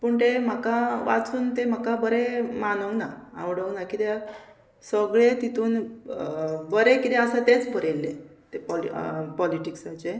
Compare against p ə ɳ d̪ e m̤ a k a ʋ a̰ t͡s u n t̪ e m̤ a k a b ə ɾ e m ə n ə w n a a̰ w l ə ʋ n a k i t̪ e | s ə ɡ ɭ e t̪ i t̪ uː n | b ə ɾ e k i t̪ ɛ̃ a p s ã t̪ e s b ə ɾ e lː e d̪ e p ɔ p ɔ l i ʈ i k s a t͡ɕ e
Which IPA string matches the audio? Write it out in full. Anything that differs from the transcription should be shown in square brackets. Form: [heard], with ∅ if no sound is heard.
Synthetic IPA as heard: p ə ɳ [t̪] e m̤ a k a ʋ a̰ t͡s [uː] n t̪ e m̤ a k a b ə ɾ e m [a] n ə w n a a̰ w [ɽ] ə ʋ n a k i t̪ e | s ə ɡ ɭ e t̪ i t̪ uː n | b ə ɾ e k i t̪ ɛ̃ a [∅] s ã t̪ e [t͡s] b ə ɾ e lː e [t̪] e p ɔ p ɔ l i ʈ i k s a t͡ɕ e